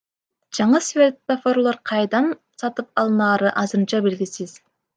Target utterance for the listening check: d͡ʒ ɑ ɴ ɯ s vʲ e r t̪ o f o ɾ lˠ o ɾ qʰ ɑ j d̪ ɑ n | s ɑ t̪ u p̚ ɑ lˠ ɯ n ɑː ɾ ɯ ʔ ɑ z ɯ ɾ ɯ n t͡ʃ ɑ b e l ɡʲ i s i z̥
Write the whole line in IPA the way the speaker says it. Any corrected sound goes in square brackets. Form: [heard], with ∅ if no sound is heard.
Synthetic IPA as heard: d͡ʒ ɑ ɴ ɯ s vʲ e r t̪ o f o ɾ lˠ o ɾ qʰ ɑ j d̪ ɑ n | s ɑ t̪ [ɯ] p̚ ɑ lˠ ɯ n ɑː ɾ ɯ ʔ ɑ z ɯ ɾ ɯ n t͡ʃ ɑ b e l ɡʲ i s i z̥